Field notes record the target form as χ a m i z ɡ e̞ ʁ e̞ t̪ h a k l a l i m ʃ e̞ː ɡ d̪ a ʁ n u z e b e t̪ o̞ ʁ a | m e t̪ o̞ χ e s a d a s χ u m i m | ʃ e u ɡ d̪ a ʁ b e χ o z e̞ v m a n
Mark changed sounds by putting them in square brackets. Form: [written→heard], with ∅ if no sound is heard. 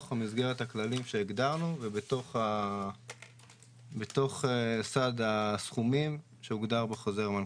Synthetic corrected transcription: χ a m i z ɡ e̞ ʁ e̞ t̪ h a k l a l i m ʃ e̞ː ɡ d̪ a ʁ n u [z→v] e b e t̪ o̞ [ʁ→χ] a | [m→b] e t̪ o̞ χ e s a d a s χ u m i m | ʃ e u ɡ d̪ a ʁ b e χ o z e̞ [v→ʁ] m a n